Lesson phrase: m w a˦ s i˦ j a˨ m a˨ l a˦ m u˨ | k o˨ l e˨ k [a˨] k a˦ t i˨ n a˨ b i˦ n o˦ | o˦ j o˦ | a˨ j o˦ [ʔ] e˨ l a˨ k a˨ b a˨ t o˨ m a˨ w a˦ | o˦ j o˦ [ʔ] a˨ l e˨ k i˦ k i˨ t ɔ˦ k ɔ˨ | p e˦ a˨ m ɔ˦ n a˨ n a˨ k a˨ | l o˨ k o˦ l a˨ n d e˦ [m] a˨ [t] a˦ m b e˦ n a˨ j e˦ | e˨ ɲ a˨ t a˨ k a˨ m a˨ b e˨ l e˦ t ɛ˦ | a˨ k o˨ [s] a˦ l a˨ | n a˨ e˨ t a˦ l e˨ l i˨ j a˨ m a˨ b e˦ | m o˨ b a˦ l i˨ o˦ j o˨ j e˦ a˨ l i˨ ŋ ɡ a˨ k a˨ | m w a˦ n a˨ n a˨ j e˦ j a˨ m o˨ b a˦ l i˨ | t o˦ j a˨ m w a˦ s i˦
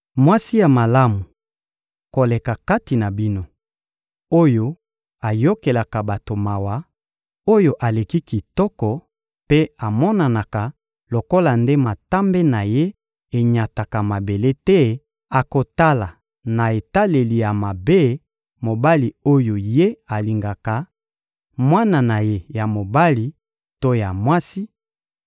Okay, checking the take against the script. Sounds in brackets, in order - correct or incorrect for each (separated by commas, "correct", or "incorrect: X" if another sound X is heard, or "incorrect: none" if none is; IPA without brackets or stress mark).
correct, incorrect: k, correct, correct, correct, incorrect: t